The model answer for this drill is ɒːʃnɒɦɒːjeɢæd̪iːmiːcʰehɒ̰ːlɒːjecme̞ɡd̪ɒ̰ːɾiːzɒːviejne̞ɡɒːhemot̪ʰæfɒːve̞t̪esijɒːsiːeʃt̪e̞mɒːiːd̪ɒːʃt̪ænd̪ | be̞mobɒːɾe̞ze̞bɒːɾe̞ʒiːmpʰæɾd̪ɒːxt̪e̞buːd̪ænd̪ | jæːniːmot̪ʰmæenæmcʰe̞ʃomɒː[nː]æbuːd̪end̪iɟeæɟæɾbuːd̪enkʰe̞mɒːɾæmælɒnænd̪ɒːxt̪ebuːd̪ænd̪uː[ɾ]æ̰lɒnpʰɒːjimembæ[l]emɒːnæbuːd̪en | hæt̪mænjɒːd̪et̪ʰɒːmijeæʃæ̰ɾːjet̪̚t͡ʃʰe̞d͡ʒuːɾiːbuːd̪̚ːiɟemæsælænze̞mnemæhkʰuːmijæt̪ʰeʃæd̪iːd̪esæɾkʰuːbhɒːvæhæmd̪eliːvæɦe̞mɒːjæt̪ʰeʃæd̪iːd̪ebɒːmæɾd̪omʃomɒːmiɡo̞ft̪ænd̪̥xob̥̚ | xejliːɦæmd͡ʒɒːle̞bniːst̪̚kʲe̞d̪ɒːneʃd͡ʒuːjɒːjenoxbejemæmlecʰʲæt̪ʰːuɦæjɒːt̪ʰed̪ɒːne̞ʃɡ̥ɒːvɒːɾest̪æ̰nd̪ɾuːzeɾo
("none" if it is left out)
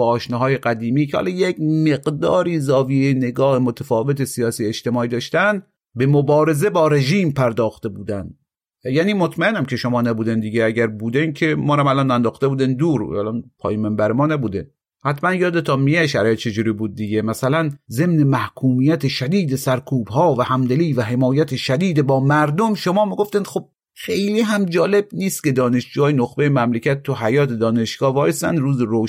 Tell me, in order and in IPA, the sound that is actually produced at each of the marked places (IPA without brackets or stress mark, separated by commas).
n, ɾ, ɾ